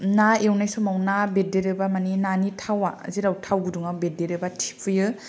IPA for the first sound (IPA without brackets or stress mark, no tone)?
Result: n